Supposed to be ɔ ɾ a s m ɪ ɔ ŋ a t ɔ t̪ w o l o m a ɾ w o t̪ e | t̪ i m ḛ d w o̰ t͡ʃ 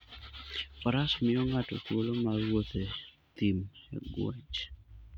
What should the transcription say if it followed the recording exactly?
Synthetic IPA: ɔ ɾ a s m ɪ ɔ ŋ a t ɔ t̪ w o l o m a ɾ w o t̪ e | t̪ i m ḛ ɡ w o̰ t͡ʃ